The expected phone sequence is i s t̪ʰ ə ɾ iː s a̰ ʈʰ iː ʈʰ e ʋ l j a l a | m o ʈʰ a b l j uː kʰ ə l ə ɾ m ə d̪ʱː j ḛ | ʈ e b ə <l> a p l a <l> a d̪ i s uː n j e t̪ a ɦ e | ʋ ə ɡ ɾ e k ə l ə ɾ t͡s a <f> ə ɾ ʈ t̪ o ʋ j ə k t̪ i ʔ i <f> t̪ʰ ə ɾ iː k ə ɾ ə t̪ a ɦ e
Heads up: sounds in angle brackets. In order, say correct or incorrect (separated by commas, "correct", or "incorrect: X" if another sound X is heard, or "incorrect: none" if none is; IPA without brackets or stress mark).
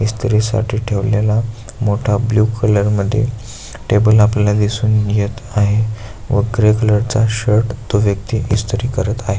correct, correct, incorrect: ɕ, incorrect: s